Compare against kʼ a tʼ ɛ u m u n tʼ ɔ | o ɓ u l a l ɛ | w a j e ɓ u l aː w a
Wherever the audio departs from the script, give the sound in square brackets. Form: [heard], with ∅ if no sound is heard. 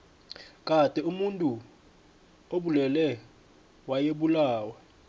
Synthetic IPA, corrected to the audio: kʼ a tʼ ɛ u m u n tʼ [u] | o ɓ u l [ɛ] l ɛ | w a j e ɓ u l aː w a